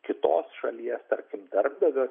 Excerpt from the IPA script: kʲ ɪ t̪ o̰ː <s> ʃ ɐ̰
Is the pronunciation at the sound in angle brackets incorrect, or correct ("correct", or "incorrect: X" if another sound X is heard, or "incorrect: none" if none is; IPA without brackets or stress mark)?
correct